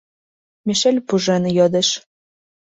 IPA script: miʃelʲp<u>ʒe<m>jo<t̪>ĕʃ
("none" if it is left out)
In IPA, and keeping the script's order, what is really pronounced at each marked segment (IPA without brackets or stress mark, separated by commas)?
u, n, d̪